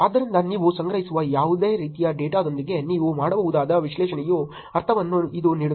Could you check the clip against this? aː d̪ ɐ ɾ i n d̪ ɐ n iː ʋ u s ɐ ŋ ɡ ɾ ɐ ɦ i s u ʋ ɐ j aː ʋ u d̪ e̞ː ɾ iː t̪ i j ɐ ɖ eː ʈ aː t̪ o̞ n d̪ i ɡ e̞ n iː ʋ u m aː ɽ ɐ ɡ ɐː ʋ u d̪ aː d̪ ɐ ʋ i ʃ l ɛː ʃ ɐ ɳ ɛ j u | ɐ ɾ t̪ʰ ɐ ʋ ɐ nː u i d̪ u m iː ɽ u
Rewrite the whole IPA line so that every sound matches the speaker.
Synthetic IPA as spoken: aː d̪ ɐ ɾ i n d̪ ɐ n iː ʋ u s ɐ ŋ ɡ ɾ ɐ ɦ i s u ʋ ɐ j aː ʋ u d̪ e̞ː ɾ iː t̪ i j ɐ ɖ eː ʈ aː d̪ o̞ n d̪ i ɡ e̞ n iː ʋ u m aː ɽ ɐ b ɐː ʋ u d̪ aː d̪ ɐ ʋ i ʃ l ɛː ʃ ɐ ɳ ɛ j u | ɐ ɾ t̪ʰ ɐ ʋ ɐ nː u i d̪ u n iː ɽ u